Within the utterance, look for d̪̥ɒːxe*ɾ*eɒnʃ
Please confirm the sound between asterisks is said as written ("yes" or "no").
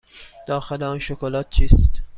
no